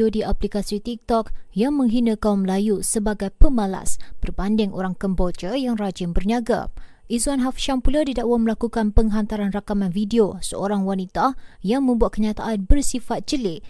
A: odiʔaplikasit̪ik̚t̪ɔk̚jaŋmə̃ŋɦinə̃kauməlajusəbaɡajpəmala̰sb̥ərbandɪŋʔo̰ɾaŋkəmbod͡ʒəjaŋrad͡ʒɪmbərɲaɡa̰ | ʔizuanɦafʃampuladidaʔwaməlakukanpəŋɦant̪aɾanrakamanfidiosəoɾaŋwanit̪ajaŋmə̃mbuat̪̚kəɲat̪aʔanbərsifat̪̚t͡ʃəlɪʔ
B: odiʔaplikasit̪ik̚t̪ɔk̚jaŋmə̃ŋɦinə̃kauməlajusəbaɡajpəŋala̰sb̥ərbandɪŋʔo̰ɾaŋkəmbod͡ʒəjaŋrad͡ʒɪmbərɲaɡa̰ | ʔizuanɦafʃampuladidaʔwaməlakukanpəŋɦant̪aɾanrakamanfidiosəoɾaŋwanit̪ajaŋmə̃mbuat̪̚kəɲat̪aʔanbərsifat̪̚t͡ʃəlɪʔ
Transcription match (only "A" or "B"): A